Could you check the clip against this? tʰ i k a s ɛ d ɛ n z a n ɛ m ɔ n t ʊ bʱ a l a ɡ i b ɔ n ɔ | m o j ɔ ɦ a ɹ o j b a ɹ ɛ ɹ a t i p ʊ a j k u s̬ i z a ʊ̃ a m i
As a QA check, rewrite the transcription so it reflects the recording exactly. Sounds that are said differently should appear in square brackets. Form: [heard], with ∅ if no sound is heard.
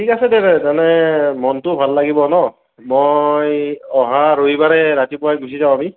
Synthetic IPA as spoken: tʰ i k a s ɛ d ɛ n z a n ɛ m ɔ n t ʊ bʱ a [lː] a ɡ i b ɔ n ɔ | m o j ɔ ɦ a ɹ o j b a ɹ ɛ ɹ a t i p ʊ a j [ɡ] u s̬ i z a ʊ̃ a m i